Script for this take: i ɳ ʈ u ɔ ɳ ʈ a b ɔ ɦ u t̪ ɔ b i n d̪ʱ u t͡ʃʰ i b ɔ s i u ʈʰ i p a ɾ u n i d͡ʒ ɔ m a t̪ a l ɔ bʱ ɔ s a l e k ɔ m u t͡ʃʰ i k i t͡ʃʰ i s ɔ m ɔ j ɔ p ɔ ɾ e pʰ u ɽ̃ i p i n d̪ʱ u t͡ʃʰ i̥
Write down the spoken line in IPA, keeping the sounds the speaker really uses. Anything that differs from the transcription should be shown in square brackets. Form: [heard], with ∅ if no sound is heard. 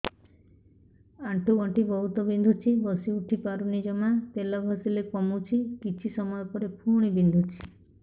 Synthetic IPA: [a] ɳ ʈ u ɔ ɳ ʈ [i] b ɔ ɦ u t̪ ɔ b i n d̪ʱ u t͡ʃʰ i b ɔ s i u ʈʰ i p a ɾ u n i d͡ʒ ɔ m a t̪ [e] l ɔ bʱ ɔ s [i] l e k ɔ m u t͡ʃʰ i k i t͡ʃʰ i s ɔ m ɔ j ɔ p ɔ ɾ e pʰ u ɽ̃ i [b] i n d̪ʱ u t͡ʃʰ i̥